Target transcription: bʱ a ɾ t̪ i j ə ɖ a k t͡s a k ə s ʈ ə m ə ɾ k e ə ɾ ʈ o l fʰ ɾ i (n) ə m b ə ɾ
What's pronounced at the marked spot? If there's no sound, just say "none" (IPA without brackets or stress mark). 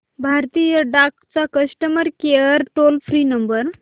n